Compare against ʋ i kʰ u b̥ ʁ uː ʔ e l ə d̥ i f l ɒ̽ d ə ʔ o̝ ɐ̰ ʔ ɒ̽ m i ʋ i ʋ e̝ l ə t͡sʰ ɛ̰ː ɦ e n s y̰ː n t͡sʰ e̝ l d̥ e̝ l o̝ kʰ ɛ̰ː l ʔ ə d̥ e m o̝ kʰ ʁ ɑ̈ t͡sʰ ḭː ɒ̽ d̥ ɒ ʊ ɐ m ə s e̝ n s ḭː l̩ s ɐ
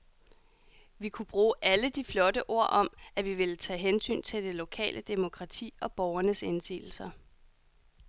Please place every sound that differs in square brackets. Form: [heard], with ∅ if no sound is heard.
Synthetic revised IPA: ʋ i kʰ u b̥ ʁ uː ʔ [æ] l ə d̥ i f l ɒ̽ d ə ʔ o̝ ɐ̰ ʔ ɒ̽ m [æ] ʋ i ʋ e̝ l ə t͡sʰ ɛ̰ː ɦ e n s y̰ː n t͡sʰ e̝ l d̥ e̝ l o̝ kʰ ɛ̰ː l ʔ ə d̥ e m o̝ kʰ ʁ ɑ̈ t͡sʰ ḭː ɒ̽ [b̥] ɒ ʊ ɐ [n] ə s e̝ n s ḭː l̩ s ɐ